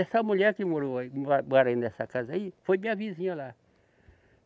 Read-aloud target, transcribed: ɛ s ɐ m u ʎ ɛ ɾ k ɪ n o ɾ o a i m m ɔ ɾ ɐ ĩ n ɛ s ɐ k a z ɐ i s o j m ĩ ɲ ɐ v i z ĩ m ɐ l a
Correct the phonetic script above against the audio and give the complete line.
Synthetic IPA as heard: ɛ s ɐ m u ʎ ɛ ɾ k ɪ m o ɾ o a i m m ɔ ɾ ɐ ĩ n ɛ s ɐ k a z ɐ i f o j m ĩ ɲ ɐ v i z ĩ ɲ ɐ l a